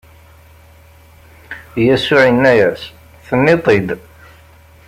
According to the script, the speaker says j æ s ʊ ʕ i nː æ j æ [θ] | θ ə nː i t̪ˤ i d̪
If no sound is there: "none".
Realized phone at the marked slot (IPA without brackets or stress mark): s